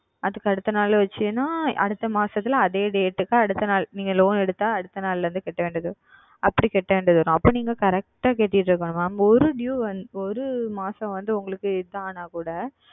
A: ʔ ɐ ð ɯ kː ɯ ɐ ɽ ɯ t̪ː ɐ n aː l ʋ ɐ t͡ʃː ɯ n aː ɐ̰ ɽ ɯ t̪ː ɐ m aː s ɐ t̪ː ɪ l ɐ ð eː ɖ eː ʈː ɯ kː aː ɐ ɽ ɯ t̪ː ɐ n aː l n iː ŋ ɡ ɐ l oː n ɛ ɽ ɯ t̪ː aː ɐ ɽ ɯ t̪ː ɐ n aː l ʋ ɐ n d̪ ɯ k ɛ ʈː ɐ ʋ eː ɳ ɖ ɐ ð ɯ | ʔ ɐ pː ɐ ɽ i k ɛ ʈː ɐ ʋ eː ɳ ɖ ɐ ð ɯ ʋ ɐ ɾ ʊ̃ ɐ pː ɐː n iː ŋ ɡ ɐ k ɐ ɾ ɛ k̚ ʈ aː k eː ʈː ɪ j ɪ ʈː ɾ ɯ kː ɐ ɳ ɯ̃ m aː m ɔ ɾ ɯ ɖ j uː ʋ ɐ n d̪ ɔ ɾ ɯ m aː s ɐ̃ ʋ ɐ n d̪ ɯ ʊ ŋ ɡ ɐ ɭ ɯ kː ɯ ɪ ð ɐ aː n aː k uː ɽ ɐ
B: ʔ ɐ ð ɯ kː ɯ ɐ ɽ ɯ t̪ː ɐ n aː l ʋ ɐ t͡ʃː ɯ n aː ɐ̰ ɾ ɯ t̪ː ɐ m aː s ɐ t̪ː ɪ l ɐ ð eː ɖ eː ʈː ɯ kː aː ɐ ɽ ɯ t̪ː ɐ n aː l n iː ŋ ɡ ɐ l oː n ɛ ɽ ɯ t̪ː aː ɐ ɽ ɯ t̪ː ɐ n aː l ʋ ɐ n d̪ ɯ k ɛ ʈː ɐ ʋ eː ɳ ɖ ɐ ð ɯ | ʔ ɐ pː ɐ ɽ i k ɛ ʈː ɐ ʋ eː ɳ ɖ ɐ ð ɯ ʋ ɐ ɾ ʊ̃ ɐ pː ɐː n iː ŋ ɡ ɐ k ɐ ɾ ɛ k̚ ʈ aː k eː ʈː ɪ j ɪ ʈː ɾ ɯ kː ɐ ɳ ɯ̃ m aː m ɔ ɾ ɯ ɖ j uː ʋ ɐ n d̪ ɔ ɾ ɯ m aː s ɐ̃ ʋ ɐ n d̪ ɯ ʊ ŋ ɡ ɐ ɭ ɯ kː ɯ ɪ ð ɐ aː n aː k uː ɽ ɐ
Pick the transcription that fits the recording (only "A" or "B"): A